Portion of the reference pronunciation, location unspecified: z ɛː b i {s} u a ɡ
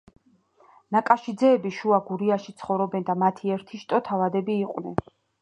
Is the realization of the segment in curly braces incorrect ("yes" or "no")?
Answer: yes